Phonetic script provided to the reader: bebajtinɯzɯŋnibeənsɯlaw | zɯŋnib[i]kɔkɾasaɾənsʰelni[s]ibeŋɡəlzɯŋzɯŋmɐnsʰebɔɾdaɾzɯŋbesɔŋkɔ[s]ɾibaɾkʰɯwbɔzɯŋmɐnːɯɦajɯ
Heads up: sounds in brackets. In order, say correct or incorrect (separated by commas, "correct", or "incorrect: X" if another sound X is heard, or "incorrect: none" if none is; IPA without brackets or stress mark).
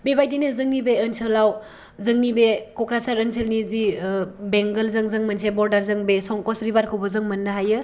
incorrect: e, incorrect: z, correct